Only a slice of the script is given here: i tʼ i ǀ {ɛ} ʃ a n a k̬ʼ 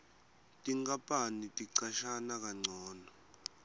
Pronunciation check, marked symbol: incorrect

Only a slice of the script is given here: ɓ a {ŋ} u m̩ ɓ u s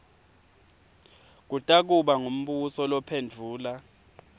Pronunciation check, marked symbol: correct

